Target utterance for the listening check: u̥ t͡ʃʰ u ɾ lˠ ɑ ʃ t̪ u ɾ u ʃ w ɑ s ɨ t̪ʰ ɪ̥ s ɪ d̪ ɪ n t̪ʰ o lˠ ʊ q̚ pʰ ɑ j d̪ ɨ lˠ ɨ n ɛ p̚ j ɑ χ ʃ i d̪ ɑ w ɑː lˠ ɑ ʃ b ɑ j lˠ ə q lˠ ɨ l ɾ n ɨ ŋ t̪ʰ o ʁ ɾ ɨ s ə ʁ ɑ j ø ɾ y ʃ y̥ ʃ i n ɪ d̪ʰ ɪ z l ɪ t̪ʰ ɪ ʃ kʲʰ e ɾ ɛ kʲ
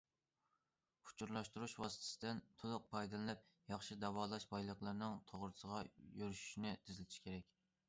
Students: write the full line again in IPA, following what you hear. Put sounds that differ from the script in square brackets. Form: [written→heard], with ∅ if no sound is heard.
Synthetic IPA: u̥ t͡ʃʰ u ɾ lˠ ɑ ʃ t̪ u ɾ u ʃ w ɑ s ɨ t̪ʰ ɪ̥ s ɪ d̪ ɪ n t̪ʰ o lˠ ʊ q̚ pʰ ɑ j d̪ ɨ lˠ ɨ n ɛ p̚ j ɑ χ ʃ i d̪ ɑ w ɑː lˠ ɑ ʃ b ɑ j lˠ ə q lˠ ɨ [l→∅] ɾ n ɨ ŋ t̪ʰ o ʁ ɾ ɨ s ə ʁ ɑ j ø ɾ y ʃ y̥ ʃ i n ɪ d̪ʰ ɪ z l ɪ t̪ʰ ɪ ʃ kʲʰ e ɾ ɛ kʲ